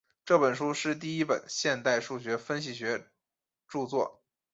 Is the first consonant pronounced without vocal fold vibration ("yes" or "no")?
yes